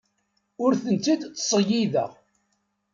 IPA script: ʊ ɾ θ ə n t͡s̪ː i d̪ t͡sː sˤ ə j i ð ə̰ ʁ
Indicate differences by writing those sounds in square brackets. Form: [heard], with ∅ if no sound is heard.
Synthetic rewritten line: ʊ ɾ θ ə n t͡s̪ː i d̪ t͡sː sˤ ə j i ð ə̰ ʁ